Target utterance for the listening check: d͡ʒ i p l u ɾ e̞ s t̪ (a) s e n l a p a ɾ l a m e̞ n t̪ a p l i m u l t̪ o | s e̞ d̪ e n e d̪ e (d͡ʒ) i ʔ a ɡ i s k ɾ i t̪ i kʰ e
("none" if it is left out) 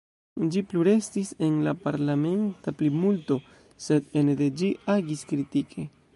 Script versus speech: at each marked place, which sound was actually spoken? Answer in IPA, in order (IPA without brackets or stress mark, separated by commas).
i, d͡ʒ